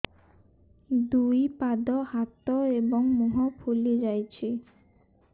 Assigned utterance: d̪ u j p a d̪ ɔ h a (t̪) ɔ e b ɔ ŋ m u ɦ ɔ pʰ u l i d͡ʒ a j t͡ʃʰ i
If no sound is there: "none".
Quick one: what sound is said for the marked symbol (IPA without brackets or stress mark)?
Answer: t̪